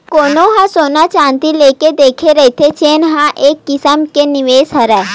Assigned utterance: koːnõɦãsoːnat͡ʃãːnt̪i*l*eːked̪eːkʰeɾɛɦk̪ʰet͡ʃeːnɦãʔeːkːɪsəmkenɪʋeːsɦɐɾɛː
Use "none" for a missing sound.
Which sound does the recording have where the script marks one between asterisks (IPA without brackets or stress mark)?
l